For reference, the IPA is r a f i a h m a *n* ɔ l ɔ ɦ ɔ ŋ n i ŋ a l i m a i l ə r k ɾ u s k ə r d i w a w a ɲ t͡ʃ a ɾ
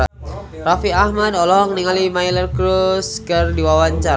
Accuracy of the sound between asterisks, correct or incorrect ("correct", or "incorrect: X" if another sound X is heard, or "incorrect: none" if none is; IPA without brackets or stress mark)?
incorrect: d